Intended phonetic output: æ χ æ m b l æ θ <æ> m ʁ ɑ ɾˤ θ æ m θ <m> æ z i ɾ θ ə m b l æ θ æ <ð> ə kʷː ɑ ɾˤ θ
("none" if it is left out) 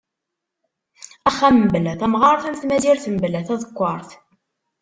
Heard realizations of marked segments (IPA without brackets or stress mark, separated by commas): æ, m, ð